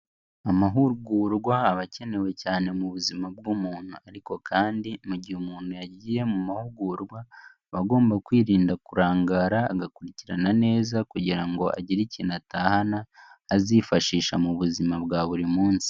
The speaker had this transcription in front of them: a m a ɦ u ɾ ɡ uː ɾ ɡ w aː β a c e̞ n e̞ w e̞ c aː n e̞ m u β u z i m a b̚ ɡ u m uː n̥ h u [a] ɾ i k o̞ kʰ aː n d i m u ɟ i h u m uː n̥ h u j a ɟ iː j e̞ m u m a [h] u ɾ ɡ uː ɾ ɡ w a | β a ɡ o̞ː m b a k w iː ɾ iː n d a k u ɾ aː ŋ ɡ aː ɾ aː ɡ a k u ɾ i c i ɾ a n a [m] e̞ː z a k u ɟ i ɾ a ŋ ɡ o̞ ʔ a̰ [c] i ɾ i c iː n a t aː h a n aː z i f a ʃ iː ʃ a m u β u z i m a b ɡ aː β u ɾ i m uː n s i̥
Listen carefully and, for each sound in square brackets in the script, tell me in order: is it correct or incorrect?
correct, correct, incorrect: n, incorrect: ɟ

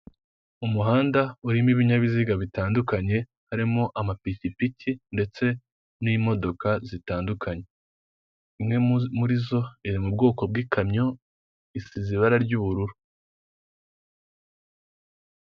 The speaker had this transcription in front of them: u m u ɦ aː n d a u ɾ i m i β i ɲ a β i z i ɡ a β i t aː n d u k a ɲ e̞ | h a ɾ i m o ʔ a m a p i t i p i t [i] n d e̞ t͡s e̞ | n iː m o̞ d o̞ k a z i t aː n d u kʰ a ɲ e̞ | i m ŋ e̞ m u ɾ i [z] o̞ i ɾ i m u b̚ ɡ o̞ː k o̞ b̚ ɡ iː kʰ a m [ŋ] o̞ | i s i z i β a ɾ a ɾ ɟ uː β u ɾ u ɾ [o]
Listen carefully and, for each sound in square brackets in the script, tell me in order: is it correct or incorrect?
correct, correct, incorrect: ɲ, incorrect: u

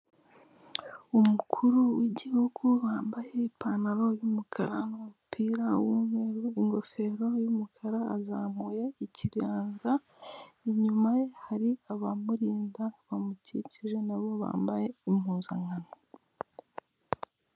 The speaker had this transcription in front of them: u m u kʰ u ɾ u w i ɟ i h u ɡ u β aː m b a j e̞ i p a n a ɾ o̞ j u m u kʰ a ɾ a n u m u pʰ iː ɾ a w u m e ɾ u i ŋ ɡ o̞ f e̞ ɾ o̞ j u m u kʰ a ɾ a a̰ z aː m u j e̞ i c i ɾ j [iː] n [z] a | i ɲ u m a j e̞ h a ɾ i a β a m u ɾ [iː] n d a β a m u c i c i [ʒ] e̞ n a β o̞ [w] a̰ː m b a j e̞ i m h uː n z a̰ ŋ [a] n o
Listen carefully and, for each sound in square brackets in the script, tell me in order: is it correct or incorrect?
incorrect: aː, correct, correct, correct, incorrect: β, correct

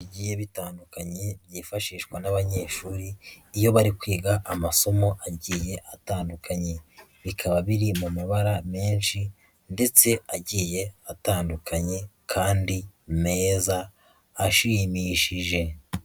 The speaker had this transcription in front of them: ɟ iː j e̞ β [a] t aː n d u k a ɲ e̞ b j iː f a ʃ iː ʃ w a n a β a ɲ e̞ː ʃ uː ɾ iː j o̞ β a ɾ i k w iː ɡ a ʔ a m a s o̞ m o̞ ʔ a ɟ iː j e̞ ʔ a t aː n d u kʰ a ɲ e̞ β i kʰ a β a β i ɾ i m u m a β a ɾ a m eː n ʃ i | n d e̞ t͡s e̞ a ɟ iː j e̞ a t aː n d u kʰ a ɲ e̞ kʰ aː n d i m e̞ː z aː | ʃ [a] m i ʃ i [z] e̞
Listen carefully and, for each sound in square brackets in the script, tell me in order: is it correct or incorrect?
incorrect: i, incorrect: i, incorrect: ʒ

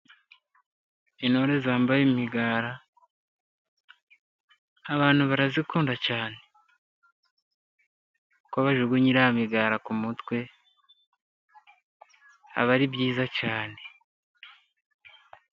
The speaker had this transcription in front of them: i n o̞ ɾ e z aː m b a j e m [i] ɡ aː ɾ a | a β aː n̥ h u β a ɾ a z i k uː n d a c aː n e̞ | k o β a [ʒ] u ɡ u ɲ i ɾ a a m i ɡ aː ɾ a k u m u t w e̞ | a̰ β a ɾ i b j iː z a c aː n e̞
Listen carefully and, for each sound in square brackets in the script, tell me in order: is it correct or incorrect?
correct, correct

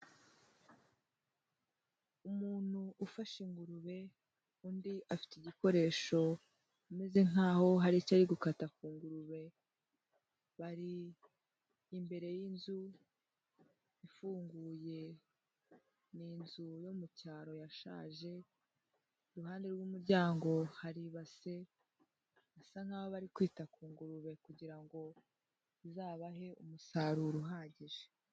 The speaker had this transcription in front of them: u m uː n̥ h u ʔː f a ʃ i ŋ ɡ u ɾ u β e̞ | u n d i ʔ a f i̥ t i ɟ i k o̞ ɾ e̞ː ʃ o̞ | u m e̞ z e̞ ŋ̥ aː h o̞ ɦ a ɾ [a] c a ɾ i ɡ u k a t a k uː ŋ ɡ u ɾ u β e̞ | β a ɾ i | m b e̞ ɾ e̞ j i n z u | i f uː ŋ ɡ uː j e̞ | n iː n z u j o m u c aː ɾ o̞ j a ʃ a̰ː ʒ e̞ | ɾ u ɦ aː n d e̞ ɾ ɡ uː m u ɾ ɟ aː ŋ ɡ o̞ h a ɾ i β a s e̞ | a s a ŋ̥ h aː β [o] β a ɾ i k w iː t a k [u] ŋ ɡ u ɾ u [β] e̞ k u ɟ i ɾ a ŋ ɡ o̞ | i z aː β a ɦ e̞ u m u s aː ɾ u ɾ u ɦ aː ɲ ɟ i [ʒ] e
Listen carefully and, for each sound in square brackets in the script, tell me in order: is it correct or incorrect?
incorrect: i, correct, incorrect: uː, correct, correct

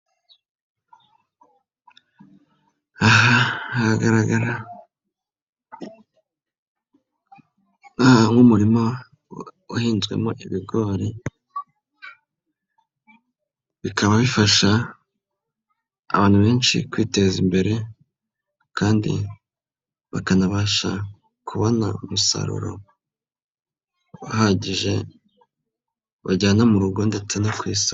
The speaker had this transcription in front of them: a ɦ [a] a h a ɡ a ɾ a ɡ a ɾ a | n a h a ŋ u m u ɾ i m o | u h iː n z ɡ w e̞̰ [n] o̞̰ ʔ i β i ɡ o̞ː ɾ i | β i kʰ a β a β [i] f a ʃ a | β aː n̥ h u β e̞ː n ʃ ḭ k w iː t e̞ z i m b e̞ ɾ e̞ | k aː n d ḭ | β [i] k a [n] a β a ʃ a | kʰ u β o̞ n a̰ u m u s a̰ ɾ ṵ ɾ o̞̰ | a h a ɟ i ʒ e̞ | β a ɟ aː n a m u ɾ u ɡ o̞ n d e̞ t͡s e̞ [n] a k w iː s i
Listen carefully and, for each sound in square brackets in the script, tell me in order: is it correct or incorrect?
correct, incorrect: m, correct, incorrect: a, correct, correct

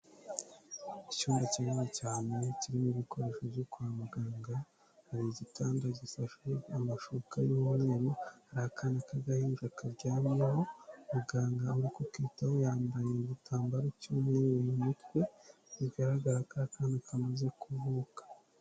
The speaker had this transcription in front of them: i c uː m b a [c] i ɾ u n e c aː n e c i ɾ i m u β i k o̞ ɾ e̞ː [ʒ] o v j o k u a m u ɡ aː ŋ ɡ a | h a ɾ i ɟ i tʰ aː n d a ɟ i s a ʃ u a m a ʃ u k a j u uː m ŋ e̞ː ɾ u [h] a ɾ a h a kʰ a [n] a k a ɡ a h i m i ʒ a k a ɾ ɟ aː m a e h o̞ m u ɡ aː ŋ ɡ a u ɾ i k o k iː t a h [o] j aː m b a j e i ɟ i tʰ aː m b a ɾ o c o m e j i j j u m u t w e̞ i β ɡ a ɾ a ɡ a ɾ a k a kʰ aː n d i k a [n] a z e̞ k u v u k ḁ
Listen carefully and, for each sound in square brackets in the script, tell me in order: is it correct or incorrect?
correct, incorrect: ʃ, correct, correct, correct, incorrect: m

